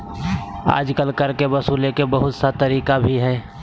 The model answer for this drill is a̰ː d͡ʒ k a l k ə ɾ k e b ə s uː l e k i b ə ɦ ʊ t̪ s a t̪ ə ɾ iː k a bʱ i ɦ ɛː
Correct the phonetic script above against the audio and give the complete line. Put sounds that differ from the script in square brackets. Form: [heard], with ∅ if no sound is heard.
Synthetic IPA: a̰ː d͡ʒ k [ə] l k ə ɾ k e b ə s uː l e k [e] b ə ɦ ʊ t̪ s a t̪ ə ɾ iː k a bʱ i ɦ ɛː